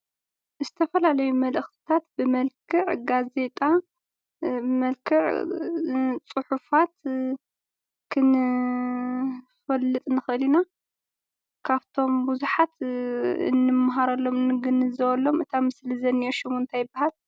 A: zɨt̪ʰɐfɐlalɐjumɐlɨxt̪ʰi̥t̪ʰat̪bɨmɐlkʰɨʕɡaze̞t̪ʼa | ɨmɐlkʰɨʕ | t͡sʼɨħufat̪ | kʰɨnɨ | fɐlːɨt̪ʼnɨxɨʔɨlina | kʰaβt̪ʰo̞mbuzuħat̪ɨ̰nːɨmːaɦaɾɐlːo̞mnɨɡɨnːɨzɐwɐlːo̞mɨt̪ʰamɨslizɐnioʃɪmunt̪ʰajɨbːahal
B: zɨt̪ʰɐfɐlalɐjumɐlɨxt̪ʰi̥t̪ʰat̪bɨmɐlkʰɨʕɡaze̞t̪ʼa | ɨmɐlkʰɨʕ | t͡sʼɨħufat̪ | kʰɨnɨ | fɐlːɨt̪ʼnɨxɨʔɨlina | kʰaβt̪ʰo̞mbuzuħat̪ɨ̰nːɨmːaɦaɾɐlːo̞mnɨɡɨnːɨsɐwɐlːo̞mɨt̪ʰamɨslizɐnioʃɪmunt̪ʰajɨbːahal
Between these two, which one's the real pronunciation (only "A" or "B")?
A